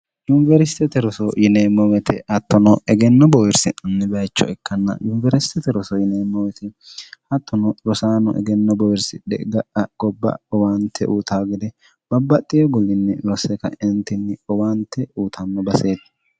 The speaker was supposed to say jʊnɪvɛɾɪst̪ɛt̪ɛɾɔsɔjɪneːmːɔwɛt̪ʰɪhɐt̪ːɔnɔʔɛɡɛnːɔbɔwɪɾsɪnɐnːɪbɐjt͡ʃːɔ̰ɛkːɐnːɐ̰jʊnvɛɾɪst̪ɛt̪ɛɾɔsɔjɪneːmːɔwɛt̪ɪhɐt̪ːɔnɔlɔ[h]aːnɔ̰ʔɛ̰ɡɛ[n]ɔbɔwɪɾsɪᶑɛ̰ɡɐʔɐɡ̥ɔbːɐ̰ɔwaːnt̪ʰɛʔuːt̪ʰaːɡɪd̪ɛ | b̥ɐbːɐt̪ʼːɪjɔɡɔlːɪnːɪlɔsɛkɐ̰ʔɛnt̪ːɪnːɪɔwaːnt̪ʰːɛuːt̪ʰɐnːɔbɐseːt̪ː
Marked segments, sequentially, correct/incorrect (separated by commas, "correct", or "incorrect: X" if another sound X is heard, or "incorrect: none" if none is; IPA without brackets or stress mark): incorrect: s, incorrect: nː